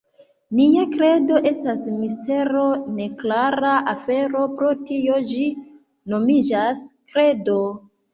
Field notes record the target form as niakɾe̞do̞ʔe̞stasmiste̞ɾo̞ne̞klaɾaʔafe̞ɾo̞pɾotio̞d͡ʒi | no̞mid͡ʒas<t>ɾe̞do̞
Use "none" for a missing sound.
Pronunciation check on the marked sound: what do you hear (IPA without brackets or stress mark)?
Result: k